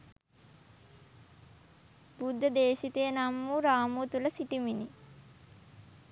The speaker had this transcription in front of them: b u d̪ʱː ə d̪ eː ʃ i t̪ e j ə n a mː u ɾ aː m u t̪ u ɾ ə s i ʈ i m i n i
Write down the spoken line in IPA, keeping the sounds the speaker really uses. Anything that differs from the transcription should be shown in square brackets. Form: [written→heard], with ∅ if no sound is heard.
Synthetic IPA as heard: b u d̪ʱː ə d̪ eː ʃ i t̪ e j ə n a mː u ɾ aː m u t̪ u [ɾ→l] ə s i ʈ i m i n i